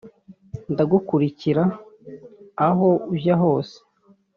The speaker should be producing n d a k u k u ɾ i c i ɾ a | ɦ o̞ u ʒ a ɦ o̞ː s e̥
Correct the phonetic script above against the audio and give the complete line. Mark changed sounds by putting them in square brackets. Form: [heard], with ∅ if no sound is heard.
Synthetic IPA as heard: n d a [ɡ] u k u ɾ i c i ɾ a | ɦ o̞ u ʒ a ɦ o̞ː s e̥